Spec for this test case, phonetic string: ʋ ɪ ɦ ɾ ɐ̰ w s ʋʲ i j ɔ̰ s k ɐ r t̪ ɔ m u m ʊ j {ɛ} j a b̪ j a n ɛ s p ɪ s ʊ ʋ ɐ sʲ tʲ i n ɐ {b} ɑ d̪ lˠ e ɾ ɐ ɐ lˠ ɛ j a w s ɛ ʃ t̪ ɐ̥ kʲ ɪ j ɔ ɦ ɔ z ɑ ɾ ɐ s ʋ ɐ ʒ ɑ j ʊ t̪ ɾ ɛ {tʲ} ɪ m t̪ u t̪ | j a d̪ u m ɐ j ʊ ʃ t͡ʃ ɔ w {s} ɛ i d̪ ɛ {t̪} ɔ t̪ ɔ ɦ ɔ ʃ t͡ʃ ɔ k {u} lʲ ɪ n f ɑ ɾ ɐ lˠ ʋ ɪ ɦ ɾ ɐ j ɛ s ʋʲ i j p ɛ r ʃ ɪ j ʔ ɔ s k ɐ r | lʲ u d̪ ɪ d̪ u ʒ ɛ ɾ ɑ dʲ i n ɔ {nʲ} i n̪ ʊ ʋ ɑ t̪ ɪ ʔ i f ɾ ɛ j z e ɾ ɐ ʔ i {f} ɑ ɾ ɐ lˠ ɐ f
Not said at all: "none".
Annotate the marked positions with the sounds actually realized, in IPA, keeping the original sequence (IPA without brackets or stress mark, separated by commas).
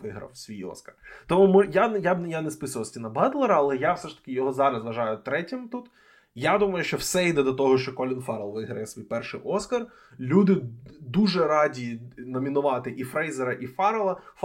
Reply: a, b, tʲ, s, d̪, ɔ, mʲ, f